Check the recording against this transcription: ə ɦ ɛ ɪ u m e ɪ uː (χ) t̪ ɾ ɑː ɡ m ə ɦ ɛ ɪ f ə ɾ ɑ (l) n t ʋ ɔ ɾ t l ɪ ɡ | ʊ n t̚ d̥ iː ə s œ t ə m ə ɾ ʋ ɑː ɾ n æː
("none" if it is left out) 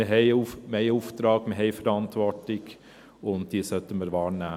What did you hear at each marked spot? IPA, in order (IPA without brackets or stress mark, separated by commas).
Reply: f, none